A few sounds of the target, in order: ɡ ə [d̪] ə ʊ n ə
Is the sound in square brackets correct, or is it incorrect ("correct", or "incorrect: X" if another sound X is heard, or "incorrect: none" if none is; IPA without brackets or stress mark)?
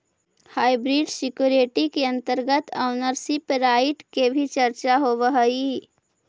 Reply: incorrect: t̪